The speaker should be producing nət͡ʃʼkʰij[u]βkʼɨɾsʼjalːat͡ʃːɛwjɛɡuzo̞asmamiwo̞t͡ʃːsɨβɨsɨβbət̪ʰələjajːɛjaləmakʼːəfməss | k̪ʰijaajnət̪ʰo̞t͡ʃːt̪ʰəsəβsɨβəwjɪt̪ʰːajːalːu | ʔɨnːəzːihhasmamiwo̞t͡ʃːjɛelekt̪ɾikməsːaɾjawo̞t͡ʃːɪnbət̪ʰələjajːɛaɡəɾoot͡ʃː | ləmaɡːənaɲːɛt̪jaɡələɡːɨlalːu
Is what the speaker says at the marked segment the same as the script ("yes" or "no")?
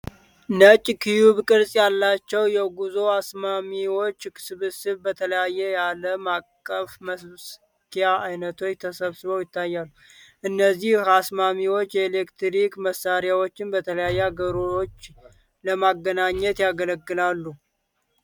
yes